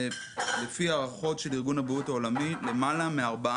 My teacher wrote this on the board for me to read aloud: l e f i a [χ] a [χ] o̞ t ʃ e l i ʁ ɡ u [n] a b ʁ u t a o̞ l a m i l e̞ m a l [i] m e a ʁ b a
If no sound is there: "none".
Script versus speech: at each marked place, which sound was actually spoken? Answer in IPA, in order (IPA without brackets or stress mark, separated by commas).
ʁ, χ, n, a